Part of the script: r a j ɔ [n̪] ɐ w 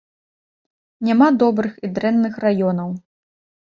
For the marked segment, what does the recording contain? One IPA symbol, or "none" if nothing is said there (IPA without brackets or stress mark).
n̪